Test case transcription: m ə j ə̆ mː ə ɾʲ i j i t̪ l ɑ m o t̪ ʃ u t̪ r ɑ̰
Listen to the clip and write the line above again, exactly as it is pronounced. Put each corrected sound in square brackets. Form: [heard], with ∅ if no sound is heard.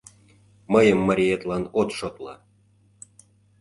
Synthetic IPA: m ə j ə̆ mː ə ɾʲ i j [e] t̪ l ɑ [n] o t̪ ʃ [o] t̪ [l] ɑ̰